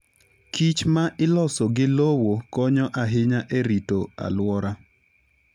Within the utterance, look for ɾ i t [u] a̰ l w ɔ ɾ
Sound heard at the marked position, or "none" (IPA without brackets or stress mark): o